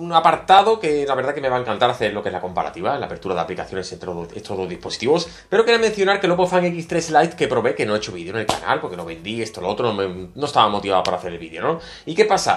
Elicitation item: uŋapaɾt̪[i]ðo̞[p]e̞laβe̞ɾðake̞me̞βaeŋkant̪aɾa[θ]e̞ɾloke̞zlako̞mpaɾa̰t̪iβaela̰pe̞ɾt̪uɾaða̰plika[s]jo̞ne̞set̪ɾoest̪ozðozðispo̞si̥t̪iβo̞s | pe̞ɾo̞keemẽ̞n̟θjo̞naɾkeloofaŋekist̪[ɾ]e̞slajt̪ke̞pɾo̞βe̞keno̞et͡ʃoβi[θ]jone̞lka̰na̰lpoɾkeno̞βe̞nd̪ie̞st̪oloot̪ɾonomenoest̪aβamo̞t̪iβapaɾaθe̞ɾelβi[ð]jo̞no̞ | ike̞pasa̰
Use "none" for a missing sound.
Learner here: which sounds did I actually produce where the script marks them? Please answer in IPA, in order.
a, k, θ, θ, ɾ, ð, ð

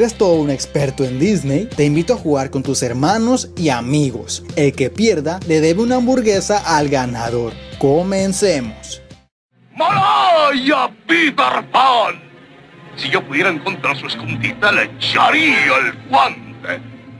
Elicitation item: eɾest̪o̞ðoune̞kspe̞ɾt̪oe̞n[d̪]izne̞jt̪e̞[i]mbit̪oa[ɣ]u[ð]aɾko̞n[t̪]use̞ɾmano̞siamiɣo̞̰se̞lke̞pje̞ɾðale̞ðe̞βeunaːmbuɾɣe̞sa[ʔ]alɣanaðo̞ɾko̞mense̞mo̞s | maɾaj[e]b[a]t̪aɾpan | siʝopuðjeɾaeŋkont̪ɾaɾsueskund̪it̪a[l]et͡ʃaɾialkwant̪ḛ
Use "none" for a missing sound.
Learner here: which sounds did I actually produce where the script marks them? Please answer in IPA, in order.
d̪, i, x, ɣ, t̪, ʔ, a, i, l

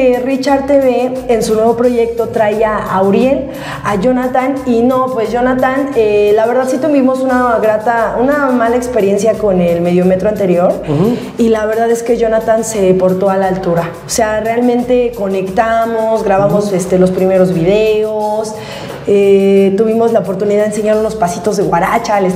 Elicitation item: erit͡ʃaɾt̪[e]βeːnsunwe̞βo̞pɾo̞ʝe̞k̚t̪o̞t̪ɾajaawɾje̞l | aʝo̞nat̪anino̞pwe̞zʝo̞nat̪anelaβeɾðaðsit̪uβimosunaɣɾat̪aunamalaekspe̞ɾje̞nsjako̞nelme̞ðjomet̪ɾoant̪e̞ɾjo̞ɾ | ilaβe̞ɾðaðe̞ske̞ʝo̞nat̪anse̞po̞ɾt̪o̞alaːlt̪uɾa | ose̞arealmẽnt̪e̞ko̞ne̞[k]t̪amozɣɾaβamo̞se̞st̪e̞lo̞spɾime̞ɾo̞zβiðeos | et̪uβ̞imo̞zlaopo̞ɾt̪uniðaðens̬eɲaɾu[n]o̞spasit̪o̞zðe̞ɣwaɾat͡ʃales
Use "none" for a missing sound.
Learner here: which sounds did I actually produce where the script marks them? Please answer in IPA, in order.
e, k, n

